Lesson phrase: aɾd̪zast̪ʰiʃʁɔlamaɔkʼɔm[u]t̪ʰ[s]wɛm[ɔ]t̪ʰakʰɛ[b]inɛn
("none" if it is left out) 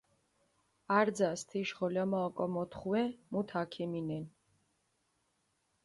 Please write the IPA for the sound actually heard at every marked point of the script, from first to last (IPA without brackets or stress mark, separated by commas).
ɔ, χ, u, m